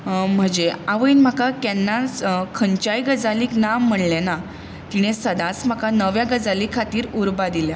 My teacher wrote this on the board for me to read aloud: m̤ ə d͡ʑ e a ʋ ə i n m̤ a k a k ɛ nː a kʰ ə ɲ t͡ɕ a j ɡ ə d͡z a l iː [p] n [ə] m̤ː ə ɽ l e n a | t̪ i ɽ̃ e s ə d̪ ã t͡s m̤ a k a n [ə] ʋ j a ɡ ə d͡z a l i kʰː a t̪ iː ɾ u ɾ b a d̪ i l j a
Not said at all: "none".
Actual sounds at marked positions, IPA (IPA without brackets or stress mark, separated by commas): k, a, ə